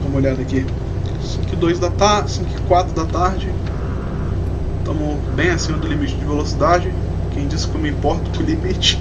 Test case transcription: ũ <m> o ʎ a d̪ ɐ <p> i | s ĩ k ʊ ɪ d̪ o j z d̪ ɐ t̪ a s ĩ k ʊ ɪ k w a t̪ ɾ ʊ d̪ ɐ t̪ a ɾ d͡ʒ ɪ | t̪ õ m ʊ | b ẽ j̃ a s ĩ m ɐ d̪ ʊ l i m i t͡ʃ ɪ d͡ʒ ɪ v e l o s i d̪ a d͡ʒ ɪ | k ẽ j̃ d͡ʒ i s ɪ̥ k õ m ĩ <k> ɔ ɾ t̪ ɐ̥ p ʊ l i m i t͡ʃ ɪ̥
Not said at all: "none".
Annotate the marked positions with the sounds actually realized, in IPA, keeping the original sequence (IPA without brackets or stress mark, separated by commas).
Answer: m, k, p